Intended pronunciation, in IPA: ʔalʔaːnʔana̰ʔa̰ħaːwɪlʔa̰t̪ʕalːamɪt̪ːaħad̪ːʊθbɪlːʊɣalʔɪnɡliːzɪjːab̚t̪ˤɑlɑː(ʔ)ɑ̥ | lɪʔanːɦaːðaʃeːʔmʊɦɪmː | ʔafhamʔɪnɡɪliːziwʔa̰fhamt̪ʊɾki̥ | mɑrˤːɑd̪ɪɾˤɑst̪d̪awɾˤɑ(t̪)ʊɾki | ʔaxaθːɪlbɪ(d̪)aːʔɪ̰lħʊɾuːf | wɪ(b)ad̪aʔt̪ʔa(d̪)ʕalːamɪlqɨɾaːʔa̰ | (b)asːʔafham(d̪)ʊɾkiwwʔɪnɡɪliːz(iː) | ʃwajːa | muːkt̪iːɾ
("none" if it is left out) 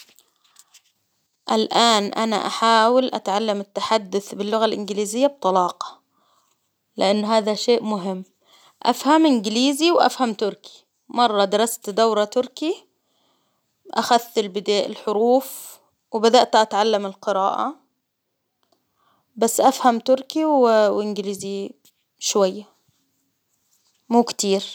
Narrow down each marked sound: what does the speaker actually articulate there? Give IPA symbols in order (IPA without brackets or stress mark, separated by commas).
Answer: q, t̪, d̪, b, t̪, b, t̪, i